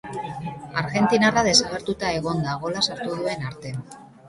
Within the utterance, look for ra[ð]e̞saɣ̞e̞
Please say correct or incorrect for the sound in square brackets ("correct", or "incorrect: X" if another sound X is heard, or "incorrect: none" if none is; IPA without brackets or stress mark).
correct